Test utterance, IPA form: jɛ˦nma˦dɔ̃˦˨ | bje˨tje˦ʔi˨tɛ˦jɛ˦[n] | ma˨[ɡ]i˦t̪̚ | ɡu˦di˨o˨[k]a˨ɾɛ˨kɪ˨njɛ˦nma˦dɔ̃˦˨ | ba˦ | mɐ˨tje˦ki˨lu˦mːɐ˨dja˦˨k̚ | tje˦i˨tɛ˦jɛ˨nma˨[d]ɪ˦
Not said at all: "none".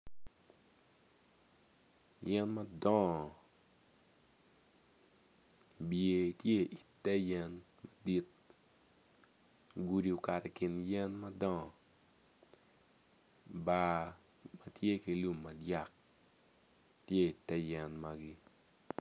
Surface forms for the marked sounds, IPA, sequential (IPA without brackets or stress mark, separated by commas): n, d, k, ɡ